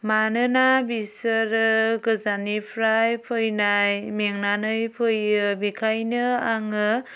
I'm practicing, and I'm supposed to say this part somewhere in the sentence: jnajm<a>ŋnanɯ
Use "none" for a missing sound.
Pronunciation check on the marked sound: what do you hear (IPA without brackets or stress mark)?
e